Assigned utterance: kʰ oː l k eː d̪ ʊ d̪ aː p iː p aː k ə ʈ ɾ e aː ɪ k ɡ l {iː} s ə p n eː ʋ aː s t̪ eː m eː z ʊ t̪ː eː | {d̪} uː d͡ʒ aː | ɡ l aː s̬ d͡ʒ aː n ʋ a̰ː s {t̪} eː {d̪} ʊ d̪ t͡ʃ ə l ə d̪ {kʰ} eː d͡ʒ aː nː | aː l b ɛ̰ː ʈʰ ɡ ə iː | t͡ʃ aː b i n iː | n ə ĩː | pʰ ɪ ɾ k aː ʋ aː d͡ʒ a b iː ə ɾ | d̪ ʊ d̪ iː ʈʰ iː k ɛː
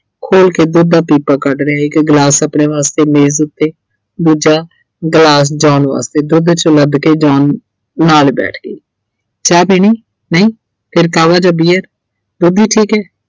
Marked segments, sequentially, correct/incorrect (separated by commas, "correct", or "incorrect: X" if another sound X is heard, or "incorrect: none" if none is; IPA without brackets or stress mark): incorrect: aː, correct, correct, correct, incorrect: k